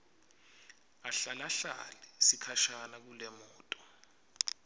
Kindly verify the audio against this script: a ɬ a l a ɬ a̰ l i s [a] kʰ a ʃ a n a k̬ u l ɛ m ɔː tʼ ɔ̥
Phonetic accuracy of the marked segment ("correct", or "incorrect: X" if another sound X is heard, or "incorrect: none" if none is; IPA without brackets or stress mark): incorrect: i